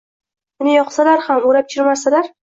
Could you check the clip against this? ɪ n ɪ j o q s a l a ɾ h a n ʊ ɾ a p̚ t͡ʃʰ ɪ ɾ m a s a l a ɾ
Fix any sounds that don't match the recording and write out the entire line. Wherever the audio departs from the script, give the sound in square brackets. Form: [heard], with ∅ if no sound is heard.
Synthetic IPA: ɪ n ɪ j [ɒ] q s a l a ɾ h a [m] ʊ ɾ a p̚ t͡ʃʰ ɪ ɾ m a s a l a ɾ